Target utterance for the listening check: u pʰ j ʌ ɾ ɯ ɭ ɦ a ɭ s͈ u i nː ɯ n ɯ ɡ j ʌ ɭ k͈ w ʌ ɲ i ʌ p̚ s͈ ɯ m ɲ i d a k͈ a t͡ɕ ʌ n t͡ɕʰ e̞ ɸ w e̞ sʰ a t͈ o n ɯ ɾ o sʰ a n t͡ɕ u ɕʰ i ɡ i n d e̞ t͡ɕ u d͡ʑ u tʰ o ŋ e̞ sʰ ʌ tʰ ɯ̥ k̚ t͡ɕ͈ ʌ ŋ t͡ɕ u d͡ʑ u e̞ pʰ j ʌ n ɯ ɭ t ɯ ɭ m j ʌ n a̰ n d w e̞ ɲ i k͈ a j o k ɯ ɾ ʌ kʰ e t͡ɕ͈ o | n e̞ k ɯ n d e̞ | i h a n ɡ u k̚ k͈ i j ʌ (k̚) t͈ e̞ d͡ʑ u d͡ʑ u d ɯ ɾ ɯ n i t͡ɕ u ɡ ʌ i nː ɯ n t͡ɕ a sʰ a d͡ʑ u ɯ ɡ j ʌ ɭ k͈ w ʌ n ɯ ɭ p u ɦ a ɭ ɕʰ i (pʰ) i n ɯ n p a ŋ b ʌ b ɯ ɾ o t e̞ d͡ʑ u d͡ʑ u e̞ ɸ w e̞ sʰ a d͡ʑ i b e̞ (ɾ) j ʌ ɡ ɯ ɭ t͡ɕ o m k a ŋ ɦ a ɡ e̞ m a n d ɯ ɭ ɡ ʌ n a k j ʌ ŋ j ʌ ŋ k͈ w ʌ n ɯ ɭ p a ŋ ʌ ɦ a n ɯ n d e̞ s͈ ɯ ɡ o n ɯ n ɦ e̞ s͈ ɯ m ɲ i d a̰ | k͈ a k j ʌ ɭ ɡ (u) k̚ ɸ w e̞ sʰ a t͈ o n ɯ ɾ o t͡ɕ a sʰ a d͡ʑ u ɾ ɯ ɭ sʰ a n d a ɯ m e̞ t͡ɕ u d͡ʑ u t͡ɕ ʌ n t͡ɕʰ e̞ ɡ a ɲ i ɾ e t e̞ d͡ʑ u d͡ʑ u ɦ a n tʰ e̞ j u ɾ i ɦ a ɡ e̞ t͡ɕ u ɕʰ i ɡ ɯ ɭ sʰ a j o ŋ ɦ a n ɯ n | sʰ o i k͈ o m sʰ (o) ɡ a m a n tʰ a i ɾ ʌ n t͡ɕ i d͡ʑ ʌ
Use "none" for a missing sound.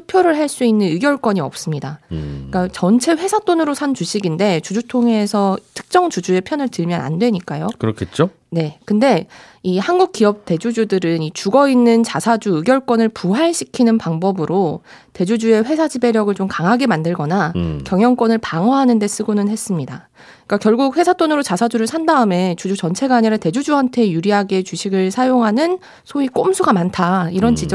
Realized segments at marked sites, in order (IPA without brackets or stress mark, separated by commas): p̚, kʰ, ɾ, u, u